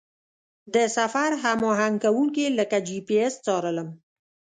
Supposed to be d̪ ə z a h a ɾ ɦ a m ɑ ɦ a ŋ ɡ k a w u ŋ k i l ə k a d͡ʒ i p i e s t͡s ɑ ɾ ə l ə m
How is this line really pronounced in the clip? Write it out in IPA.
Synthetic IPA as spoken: d̪ ə s a f a ɾ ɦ a m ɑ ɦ a ŋ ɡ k a w u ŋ k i l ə k a d͡ʒ i p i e s t͡s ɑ ɾ ə l ə m